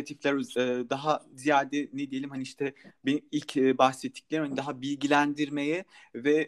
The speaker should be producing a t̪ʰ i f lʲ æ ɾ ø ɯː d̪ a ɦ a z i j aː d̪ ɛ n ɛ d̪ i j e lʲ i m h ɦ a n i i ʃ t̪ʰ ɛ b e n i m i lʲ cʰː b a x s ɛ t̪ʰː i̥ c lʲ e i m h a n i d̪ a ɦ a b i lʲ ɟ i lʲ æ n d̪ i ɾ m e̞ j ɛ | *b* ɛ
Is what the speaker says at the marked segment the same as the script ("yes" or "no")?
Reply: no